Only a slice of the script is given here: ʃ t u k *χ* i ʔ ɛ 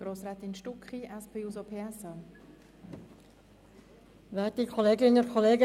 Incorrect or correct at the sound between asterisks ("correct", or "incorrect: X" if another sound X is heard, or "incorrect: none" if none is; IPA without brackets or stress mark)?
correct